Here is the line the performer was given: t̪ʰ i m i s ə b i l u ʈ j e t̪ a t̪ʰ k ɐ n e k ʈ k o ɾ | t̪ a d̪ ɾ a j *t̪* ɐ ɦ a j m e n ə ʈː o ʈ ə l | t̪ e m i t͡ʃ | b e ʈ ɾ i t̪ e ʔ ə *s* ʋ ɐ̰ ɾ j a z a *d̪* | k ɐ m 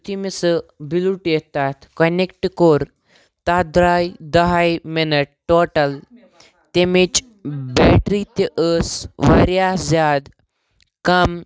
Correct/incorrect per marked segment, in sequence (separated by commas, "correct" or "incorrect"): incorrect, correct, correct